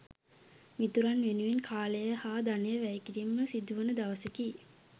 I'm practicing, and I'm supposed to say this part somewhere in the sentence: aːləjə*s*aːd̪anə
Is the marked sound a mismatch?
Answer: yes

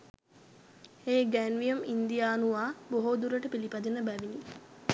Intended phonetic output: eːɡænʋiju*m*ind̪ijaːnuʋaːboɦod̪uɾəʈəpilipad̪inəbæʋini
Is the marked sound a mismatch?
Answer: no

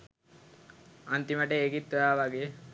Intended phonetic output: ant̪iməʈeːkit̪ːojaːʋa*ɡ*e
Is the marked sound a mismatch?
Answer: no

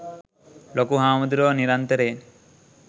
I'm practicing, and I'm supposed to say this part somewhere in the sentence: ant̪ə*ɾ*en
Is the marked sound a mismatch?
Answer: no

